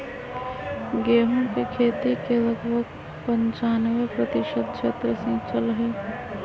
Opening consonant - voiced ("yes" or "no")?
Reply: yes